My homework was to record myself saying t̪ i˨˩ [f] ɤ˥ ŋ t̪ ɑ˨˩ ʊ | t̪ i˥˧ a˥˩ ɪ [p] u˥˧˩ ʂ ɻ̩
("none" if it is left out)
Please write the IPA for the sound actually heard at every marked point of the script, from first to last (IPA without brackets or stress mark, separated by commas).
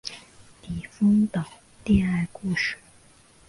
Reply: f, k